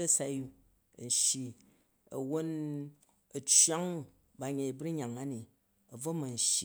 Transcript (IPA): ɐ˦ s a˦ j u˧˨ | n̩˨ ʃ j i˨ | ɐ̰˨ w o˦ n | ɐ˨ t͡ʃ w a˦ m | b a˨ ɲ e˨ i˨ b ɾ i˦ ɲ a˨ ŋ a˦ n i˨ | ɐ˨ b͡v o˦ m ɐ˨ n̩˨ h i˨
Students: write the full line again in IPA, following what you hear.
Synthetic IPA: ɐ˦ s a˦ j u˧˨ | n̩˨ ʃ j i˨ | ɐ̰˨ w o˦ n | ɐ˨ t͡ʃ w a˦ ŋ | b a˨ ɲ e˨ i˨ b ɾ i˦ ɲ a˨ ŋ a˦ n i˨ | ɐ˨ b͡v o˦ m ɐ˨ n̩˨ ʃ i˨